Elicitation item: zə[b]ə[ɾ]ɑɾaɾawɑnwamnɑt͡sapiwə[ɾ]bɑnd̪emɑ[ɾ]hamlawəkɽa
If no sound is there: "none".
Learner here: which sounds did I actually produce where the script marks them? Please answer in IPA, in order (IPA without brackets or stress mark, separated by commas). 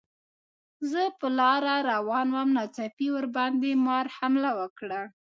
p, l, ɾ, ɾ